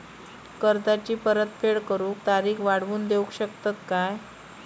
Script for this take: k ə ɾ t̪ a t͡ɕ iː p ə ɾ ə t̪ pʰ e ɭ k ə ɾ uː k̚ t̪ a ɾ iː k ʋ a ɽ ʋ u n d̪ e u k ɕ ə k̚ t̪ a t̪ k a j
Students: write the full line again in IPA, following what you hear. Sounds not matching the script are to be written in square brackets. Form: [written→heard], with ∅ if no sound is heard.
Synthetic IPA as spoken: k ə ɾ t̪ a t͡ɕ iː p ə ɾ ə t̪ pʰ e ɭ k ə ɾ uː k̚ t̪ a ɾ iː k ʋ a ɽ ʋ [u→uː] n d̪ e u k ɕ ə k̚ t̪ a t̪ k a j

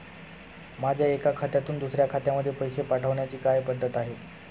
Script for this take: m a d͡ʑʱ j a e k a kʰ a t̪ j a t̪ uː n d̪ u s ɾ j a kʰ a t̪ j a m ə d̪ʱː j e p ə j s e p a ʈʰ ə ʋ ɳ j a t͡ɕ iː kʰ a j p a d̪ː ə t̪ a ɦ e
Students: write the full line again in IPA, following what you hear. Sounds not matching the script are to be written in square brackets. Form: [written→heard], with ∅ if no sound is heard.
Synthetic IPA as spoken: m a d͡ʑʱ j a e k a kʰ a t̪ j a t̪ uː n d̪ u s ɾ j a kʰ a t̪ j a m ə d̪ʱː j e p ə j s e p a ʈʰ ə ʋ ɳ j a t͡ɕ iː [kʰ→k] a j p [a→ə] d̪ː ə t̪ a ɦ e

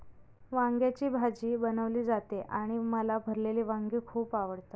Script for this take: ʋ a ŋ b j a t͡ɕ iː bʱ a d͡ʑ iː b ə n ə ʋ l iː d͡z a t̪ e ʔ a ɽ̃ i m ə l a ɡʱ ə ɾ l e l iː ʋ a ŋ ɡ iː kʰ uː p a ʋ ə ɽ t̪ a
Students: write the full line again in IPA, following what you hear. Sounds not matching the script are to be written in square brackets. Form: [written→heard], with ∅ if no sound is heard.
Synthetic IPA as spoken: ʋ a ŋ [b→ɡ] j a t͡ɕ iː bʱ a d͡ʑ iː b ə n ə ʋ l iː d͡z a t̪ e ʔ a ɽ̃ i m ə l a [ɡʱ→bʱ] ə ɾ l e l iː ʋ a ŋ ɡ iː kʰ uː p a ʋ ə ɽ t̪ a

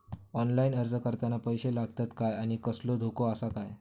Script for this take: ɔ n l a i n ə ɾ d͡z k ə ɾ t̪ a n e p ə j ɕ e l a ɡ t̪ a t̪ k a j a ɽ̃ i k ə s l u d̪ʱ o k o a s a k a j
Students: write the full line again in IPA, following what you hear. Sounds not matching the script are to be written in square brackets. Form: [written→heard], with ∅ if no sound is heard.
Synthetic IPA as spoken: ɔ n l a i n ə ɾ d͡z k ə ɾ t̪ a n [e→a] p ə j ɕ e l a ɡ t̪ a t̪ k a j a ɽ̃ i k ə s l [u→o] d̪ʱ o k o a s a k a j

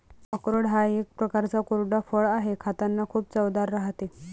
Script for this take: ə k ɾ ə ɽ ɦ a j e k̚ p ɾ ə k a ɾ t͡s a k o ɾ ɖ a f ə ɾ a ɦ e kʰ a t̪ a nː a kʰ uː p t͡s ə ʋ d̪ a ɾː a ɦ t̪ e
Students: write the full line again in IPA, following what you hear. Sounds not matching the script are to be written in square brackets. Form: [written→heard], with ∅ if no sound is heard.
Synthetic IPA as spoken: ə k ɾ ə ɽ ɦ a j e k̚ p ɾ ə k a ɾ t͡s a k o ɾ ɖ a f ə [ɾ→ɭ] a ɦ e kʰ a t̪ a nː a kʰ uː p t͡s ə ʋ d̪ a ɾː a ɦ t̪ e

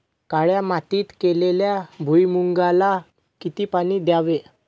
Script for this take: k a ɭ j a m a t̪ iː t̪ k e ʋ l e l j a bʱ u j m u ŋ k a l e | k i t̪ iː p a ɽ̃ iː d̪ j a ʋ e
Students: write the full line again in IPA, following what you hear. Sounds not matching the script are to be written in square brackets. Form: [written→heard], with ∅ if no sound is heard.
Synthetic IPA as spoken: k a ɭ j a m a t̪ iː t̪ k e [ʋ→∅] l e l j a bʱ u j m u ŋ [k→ɡ] a l [e→a] | k i t̪ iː p a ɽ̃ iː d̪ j a ʋ e

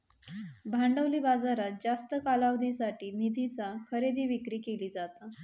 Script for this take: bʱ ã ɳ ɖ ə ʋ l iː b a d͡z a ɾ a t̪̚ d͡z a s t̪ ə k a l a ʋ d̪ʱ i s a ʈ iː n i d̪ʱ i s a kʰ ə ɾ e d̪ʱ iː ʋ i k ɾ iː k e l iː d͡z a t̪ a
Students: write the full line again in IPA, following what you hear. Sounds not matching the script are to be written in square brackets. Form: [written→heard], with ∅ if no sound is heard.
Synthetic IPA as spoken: bʱ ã ɳ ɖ ə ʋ l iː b a d͡z a ɾ a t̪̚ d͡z a s t̪ ə k a l a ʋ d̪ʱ i s a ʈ iː n i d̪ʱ i [s→t͡s] a kʰ ə ɾ e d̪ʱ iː ʋ i k ɾ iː k e l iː d͡z a t̪ a

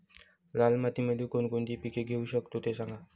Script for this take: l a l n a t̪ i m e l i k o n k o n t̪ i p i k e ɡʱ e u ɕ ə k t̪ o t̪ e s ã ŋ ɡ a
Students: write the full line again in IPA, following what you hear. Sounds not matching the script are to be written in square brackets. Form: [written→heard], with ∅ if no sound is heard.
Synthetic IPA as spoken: l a l [n→m] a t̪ i m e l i k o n k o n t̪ i p i k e ɡʱ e u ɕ ə k t̪ o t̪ e s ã ŋ ɡ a

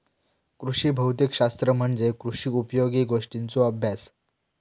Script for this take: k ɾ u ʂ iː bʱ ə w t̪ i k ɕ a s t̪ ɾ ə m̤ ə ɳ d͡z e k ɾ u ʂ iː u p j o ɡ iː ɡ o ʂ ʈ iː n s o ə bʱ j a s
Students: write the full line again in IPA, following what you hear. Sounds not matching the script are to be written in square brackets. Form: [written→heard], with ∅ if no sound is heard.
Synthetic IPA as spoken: k ɾ u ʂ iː bʱ ə w t̪ i k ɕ a s t̪ ɾ ə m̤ ə ɳ d͡z e k ɾ u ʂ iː u p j o ɡ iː ɡ o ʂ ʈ [iː→i] n [s→t͡s] o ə bʱ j a s

